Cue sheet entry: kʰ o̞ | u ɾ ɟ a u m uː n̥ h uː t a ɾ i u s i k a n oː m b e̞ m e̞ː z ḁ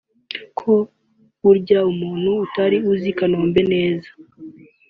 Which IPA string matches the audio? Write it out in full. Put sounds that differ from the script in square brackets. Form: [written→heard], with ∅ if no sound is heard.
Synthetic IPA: kʰ o̞ | u ɾ ɟ a u m uː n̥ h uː t a ɾ i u [s→z] i k a n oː m b e̞ [m→n] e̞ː z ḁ